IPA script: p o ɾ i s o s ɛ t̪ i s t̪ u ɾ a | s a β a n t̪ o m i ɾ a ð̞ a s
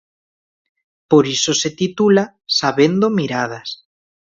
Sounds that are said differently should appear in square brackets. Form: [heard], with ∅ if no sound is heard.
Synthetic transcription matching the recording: p o ɾ i s o s [e] t̪ i [∅] t̪ u [l] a | s a β [e] n [d̪] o m i ɾ a ð̞ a s